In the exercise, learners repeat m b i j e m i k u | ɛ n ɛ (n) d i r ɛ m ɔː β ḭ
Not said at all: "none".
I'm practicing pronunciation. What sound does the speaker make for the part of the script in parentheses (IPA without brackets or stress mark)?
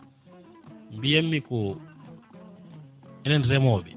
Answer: n